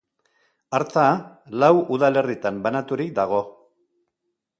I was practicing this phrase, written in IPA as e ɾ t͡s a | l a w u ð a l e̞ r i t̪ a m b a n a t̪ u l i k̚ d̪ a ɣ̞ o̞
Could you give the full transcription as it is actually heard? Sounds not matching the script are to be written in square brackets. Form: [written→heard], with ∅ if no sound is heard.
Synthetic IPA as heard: [e→a] ɾ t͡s a | l a w u ð a l e̞ r i t̪ a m b a n a t̪ u [l→ɾ] i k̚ d̪ a ɣ̞ o̞